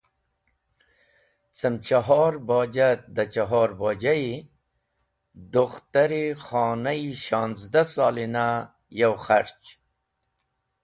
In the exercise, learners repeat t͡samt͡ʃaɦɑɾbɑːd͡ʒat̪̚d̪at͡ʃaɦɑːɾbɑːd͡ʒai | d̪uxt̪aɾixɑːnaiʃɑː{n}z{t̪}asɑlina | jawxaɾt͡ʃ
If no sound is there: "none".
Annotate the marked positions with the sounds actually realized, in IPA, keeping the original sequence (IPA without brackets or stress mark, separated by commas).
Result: n, d̪